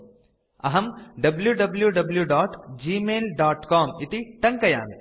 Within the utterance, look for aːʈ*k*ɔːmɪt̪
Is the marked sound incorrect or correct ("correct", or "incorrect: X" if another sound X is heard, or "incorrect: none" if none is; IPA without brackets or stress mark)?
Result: correct